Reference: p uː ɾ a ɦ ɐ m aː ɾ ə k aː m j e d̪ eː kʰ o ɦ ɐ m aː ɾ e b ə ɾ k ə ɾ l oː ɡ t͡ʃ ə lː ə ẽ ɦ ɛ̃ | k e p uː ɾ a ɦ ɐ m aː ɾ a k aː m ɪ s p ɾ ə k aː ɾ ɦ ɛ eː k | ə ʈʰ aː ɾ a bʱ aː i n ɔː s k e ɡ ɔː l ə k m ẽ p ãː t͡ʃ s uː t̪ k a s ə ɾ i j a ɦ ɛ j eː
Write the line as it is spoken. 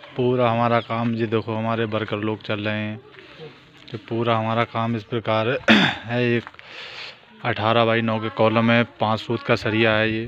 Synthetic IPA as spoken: p uː ɾ a ɦ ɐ m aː ɾ a k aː m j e d̪ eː kʰ o ɦ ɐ m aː ɾ e b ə ɾ k ə ɾ l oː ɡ t͡ʃ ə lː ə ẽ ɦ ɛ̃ | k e p uː ɾ a ɦ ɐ m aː ɾ a k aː m ɪ s p ɾ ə k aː ɾ ɦ ɛ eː k | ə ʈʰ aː ɾ a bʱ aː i n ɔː k e k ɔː l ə m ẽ p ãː t͡ʃ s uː t̪ k a s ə ɾ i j a ɦ ɛ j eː